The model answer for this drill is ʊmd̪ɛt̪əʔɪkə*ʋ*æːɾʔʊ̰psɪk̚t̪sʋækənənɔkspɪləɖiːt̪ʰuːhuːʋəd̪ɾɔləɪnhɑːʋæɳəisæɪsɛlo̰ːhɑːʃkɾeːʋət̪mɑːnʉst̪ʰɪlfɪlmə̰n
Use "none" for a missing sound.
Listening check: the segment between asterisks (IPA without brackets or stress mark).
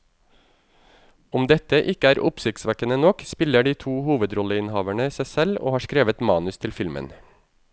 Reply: none